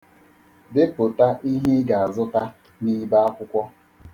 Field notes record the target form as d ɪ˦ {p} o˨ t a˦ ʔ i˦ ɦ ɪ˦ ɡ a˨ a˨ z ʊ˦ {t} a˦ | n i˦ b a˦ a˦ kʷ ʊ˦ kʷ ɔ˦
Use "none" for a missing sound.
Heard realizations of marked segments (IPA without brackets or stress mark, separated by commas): p, t